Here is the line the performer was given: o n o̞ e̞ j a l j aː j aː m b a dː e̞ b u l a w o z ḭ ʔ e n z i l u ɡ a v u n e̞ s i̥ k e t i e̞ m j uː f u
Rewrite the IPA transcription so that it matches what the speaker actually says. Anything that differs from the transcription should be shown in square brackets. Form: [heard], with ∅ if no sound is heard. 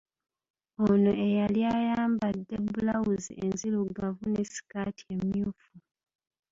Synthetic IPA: o n o̞ e̞ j a l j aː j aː m b a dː e̞ b u l a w [u] z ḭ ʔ e n z i l u ɡ a v u n e̞ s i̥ k [a] t i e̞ m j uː f u